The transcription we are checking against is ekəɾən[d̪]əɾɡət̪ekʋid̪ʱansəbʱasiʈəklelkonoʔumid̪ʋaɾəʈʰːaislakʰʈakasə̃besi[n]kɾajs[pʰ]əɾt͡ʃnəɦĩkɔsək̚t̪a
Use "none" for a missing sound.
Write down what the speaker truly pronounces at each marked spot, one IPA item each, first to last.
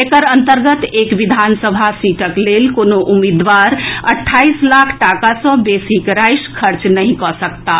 t̪, none, kʰ

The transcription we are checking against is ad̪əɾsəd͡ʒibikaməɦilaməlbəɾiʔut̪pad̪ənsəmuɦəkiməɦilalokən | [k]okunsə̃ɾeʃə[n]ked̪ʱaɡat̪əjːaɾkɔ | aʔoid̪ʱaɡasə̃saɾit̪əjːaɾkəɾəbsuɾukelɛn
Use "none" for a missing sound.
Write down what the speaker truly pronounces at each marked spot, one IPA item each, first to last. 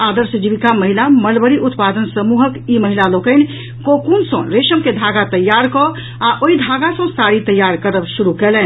k, m

